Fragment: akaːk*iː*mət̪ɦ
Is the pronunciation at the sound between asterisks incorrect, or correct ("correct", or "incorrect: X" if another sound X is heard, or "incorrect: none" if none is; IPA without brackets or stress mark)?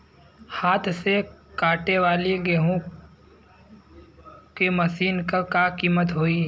correct